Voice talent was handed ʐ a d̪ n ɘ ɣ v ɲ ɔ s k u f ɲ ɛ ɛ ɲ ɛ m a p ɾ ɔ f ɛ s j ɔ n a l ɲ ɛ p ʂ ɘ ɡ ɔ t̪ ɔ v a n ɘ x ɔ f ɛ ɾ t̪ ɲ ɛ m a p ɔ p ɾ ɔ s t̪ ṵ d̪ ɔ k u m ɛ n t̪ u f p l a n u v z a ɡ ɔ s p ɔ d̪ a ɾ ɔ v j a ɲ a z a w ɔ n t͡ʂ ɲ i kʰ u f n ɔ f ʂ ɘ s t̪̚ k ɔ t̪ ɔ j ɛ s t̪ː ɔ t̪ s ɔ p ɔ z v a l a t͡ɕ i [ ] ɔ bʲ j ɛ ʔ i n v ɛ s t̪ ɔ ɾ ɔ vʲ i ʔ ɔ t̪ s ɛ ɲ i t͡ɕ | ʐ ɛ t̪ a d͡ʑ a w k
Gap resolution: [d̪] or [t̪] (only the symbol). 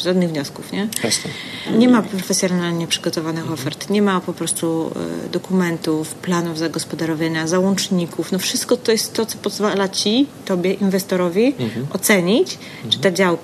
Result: t̪